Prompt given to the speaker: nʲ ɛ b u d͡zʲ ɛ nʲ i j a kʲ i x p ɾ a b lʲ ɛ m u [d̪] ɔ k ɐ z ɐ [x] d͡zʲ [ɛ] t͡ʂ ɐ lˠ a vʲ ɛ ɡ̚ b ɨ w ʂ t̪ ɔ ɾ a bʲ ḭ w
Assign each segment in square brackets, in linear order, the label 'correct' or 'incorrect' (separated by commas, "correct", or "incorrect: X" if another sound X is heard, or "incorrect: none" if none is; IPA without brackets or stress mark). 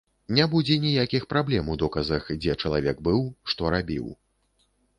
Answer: correct, correct, correct